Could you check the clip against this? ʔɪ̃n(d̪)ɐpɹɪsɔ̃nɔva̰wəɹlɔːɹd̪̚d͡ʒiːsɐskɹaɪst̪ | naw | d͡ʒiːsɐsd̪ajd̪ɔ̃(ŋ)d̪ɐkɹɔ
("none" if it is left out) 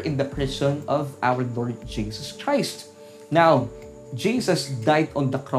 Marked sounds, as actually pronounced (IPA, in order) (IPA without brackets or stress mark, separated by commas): d̪, n